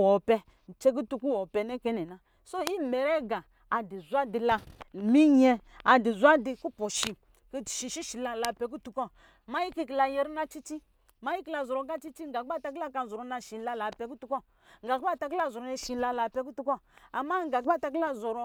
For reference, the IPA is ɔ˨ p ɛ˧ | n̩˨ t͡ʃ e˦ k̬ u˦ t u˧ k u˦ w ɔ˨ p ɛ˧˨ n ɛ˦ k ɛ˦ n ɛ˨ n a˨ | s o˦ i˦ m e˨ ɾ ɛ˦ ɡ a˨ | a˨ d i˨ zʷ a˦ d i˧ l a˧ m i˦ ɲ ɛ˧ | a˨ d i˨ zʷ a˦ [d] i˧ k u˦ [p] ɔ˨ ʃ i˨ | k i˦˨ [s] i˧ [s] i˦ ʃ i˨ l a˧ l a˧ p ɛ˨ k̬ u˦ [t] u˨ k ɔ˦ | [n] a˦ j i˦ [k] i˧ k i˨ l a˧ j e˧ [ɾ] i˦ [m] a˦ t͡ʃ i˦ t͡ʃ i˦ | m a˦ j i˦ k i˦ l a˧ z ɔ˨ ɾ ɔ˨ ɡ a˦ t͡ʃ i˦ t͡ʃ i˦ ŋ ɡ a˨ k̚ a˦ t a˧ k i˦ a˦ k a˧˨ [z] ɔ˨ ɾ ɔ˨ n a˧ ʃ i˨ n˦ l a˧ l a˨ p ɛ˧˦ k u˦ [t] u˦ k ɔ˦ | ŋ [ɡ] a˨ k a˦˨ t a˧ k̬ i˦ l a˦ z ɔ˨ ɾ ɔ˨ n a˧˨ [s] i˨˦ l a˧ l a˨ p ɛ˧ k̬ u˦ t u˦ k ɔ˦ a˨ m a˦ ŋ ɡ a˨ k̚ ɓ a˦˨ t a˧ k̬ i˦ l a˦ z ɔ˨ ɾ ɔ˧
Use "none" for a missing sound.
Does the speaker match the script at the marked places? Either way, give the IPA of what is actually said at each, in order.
d, p, ʃ, ʃ, t, m, k, ɾ, n, z, t, ɡ, ʃ

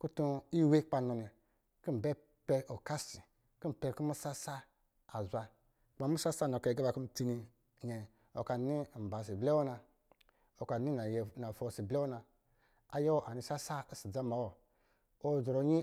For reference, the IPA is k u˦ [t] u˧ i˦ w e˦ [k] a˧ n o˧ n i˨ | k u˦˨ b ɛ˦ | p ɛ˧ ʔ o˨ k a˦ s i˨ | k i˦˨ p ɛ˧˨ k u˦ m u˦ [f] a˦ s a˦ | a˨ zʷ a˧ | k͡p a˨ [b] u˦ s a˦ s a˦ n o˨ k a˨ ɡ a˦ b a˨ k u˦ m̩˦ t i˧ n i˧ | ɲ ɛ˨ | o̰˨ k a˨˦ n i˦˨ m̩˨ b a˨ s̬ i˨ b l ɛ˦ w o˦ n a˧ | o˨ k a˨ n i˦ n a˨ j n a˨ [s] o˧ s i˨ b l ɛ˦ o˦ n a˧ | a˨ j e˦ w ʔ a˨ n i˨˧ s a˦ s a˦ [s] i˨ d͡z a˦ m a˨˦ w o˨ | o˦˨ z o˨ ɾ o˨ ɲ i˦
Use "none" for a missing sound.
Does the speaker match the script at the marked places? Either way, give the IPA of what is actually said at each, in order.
t, k͡p, s, m, f, s

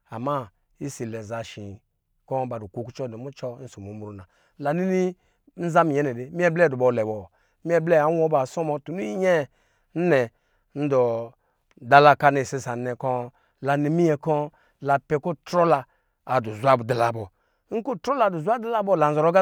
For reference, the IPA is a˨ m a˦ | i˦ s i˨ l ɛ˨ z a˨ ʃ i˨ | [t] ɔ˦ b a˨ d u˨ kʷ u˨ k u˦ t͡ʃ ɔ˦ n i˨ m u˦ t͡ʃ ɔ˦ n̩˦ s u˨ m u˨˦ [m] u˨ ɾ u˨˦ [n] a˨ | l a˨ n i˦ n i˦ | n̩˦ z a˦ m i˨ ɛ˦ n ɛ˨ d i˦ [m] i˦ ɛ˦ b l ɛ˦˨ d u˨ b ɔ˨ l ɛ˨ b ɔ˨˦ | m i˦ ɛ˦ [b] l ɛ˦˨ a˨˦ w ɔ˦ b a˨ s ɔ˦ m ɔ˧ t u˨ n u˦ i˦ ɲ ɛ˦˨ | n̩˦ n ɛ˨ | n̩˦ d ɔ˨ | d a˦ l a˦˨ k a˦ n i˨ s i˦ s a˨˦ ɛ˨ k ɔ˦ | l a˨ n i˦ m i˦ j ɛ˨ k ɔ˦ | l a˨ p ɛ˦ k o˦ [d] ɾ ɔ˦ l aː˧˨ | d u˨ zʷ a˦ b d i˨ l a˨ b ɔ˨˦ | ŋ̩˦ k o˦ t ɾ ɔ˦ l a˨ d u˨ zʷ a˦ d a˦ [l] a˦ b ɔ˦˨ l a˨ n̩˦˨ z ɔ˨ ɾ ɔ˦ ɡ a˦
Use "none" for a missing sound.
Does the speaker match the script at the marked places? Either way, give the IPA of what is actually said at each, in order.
k, m, n, m, b, t, l

